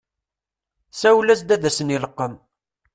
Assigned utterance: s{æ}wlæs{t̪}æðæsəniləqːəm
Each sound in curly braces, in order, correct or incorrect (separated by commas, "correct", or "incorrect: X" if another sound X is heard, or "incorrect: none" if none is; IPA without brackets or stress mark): correct, incorrect: d̪